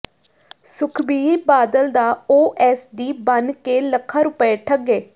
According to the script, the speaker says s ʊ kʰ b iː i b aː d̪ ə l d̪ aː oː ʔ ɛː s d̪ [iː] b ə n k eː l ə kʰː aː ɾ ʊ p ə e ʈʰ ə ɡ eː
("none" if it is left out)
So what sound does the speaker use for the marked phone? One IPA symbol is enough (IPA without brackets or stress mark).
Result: iː